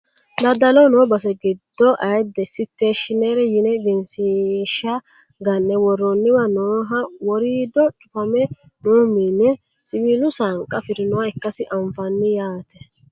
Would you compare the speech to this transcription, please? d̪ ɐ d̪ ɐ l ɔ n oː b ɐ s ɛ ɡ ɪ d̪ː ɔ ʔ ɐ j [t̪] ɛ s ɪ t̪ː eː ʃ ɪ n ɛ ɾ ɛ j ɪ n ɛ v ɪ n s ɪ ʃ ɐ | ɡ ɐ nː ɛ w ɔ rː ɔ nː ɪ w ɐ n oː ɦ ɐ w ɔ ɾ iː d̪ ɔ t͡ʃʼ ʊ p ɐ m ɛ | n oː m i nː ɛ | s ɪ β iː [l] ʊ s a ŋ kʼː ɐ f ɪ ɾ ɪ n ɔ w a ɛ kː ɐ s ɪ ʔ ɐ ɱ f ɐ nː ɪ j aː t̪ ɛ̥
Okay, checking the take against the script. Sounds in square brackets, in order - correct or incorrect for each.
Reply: incorrect: d̪, correct

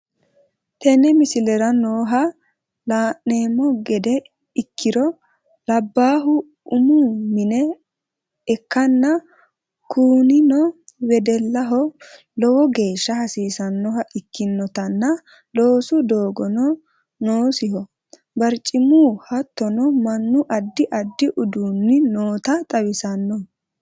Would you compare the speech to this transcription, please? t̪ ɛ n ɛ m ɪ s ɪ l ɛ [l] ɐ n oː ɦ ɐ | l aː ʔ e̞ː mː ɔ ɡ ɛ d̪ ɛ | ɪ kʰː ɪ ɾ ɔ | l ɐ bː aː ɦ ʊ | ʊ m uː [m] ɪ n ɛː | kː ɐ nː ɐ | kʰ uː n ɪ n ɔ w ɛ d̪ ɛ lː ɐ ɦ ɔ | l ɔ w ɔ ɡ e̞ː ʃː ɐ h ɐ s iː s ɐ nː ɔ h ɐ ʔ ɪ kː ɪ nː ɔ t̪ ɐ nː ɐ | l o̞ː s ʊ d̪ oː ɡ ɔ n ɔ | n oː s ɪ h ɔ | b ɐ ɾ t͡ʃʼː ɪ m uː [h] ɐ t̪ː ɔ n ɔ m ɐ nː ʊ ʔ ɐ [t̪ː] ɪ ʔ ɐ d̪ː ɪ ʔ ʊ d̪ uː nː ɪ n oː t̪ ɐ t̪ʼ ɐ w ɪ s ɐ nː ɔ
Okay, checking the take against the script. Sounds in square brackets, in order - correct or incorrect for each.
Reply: incorrect: ɾ, correct, correct, incorrect: d̪ː

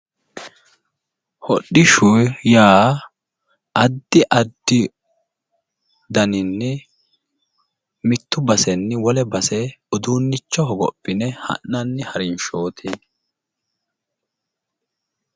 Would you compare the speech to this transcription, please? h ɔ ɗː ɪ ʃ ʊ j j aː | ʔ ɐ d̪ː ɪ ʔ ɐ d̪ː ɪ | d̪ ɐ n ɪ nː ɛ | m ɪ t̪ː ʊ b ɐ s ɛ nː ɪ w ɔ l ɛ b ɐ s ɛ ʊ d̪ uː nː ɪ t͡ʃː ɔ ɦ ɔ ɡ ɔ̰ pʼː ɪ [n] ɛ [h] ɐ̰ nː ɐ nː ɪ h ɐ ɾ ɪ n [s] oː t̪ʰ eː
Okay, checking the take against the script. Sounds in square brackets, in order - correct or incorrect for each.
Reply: correct, correct, incorrect: ʃ

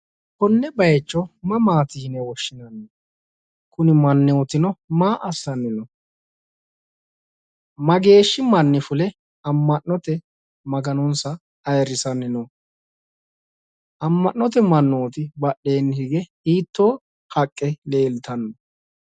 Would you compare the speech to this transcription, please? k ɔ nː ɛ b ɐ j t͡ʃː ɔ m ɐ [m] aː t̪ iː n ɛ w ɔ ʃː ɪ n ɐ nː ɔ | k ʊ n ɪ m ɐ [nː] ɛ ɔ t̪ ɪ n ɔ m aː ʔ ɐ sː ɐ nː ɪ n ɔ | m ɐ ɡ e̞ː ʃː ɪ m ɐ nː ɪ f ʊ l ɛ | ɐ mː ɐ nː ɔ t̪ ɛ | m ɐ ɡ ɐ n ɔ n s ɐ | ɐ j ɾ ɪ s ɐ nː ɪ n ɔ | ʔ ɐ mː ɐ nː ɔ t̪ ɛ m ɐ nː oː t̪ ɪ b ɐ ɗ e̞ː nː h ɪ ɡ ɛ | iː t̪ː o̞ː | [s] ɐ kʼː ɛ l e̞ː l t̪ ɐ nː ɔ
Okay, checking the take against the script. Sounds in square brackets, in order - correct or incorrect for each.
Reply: correct, correct, incorrect: h

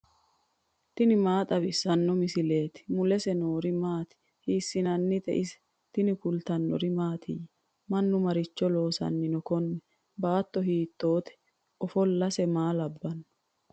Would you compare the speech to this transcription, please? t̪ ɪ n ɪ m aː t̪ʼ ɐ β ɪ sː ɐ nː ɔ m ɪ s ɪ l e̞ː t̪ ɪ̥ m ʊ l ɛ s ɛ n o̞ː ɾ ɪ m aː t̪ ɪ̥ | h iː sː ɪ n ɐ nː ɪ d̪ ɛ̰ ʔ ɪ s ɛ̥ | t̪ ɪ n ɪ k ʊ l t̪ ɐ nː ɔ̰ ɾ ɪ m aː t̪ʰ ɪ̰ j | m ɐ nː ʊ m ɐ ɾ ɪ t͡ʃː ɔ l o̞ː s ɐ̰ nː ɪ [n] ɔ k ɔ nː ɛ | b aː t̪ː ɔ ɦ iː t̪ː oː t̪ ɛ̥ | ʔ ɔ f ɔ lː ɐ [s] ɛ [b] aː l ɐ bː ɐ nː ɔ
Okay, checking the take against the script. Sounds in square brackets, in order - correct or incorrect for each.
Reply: correct, correct, incorrect: m

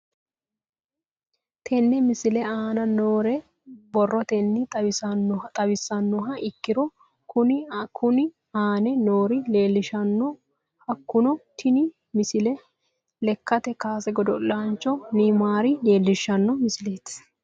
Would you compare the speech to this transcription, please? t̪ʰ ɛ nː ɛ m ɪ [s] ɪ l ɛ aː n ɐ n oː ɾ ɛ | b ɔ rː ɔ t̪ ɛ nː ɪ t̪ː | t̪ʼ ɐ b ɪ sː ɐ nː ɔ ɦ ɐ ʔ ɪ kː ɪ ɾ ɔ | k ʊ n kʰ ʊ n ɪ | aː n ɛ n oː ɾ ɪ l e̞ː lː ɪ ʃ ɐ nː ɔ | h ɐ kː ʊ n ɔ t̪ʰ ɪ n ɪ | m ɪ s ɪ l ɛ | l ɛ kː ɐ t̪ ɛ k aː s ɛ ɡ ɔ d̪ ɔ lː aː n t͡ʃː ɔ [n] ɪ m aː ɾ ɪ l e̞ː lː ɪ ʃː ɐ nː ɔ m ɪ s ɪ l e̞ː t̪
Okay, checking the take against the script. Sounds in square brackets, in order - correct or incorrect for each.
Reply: correct, correct

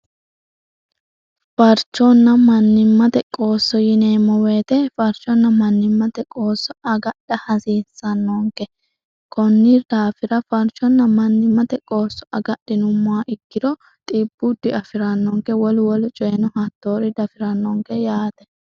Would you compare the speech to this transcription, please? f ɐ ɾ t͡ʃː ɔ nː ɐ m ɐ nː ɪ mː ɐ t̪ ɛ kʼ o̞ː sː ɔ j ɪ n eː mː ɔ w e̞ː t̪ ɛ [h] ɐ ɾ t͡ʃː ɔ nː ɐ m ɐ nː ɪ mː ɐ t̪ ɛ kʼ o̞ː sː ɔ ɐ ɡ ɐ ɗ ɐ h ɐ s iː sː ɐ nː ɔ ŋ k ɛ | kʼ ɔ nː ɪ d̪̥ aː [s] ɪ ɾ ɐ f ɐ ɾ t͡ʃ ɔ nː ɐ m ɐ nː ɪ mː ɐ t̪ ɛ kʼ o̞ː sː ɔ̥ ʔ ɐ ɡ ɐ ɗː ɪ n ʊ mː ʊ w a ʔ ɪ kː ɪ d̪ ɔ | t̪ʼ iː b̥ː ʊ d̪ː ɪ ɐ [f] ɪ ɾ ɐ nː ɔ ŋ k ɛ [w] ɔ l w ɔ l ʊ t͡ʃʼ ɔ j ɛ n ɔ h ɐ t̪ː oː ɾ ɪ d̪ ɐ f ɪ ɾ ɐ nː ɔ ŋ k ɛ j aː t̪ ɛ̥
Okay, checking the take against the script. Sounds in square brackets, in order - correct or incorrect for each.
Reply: incorrect: f, incorrect: f, correct, correct

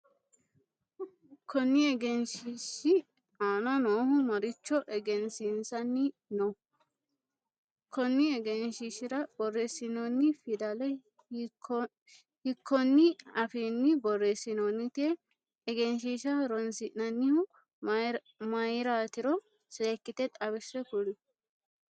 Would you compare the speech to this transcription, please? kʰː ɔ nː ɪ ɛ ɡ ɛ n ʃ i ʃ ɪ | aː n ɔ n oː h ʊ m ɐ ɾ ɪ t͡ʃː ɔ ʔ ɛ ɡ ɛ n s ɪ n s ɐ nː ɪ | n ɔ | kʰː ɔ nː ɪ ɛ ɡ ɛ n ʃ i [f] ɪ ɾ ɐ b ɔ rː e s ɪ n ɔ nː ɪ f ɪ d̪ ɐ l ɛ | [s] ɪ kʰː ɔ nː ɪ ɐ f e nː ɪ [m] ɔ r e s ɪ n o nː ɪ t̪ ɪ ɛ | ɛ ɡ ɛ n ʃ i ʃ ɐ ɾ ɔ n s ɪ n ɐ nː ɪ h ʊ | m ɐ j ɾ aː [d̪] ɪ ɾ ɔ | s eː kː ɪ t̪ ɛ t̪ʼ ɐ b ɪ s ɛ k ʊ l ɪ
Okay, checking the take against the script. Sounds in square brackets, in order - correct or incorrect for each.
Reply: incorrect: ʃ, incorrect: h, incorrect: b, incorrect: t̪

